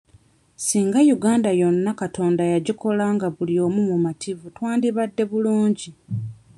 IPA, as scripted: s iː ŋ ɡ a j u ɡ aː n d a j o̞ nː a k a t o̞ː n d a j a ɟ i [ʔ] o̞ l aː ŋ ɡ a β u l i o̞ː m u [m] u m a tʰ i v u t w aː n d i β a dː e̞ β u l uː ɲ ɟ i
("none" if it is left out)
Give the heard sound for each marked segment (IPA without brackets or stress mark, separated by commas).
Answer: k, m